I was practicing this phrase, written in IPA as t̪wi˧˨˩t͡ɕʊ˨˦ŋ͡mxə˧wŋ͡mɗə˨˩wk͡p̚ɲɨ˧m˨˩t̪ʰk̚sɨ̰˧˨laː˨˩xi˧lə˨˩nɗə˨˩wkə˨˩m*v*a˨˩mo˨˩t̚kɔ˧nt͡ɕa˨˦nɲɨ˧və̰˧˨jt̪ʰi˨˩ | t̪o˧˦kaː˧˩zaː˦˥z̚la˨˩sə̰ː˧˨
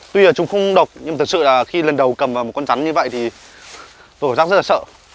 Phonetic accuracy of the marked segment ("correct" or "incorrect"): correct